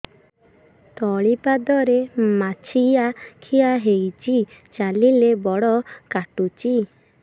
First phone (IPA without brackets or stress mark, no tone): t̪